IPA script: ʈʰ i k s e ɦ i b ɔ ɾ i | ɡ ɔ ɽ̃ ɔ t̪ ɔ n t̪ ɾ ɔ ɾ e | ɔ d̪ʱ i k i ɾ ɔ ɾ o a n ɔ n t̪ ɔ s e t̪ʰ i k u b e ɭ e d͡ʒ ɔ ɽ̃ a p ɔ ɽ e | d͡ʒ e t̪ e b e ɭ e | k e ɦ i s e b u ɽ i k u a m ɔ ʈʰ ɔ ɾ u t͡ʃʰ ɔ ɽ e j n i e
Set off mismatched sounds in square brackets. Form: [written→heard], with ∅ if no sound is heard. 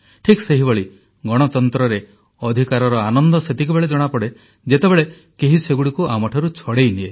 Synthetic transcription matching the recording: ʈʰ i k s e ɦ i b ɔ [ɾ→ɭ] i | ɡ ɔ ɽ̃ ɔ t̪ ɔ n t̪ ɾ ɔ ɾ e | ɔ d̪ʱ i k [i→a] ɾ ɔ ɾ [o→ɔ] a n ɔ n [t̪→d̪] ɔ s e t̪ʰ i k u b e ɭ e d͡ʒ ɔ ɽ̃ a p ɔ ɽ e | d͡ʒ e t̪ e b e ɭ e | k e ɦ i s e [b→ɡ] u ɽ i k u a m ɔ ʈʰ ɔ ɾ u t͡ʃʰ ɔ ɽ e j n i e